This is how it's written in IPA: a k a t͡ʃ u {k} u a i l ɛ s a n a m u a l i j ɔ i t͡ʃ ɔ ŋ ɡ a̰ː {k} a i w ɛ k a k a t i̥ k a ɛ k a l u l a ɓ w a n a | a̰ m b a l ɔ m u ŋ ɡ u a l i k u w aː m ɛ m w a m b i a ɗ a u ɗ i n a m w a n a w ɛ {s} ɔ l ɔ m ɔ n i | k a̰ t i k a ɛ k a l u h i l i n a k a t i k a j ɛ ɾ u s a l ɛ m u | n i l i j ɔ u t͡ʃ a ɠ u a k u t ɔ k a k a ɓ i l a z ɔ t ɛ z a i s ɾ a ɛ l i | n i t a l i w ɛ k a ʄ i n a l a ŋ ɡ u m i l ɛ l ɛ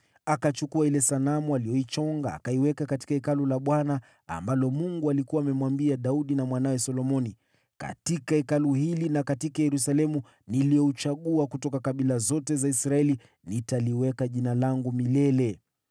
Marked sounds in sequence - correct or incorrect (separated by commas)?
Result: correct, correct, correct